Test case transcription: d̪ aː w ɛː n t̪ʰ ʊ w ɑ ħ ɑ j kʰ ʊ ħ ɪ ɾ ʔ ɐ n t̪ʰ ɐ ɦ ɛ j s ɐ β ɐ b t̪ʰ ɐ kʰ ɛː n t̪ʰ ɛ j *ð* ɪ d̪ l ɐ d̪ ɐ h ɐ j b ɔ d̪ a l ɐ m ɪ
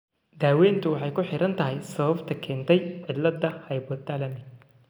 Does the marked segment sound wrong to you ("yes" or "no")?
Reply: yes